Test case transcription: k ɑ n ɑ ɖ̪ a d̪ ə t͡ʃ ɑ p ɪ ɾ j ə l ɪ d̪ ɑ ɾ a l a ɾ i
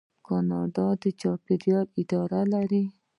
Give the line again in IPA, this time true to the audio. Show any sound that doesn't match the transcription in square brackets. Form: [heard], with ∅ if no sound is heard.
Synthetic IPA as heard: k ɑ n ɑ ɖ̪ [ɑ] d̪ ə t͡ʃ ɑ p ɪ ɾ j [ɑ] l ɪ d̪ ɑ ɾ a l a ɾ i